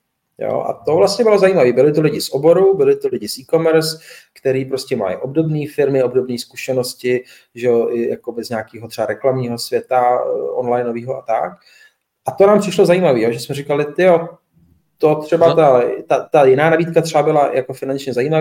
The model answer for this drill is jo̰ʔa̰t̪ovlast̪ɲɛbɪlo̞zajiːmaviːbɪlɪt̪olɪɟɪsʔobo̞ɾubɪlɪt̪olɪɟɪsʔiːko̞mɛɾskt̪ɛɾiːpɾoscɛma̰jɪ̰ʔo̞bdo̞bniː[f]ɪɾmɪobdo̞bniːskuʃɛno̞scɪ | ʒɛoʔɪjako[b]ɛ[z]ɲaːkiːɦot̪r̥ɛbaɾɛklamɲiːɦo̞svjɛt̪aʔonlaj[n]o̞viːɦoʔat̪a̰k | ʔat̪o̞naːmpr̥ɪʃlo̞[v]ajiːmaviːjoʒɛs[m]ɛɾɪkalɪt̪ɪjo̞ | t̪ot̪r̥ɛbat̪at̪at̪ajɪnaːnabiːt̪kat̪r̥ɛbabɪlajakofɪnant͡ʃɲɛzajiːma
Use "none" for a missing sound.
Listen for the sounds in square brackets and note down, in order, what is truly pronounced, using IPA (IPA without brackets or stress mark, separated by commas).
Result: f, b, z, n, z, m